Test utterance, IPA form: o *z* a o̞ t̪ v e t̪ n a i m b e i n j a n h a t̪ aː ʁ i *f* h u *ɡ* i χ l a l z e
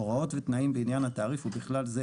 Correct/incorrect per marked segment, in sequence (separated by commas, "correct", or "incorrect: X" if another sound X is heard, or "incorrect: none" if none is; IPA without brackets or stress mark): incorrect: ʁ, correct, incorrect: b